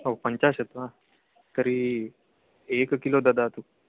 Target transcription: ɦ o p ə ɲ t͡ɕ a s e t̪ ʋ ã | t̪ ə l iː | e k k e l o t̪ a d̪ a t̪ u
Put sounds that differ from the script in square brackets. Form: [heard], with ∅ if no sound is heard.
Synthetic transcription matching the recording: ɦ o p ə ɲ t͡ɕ a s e t̪ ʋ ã | t̪ ə [ɾ] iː | e k k [i] l o [d̪] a d̪ a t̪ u